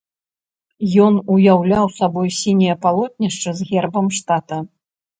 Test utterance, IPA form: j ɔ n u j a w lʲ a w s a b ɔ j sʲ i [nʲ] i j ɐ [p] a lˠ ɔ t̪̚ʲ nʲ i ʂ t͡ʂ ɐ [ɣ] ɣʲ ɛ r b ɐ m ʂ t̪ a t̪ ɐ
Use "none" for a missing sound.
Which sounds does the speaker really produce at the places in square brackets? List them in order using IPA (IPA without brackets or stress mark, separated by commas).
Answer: nʲ, p, z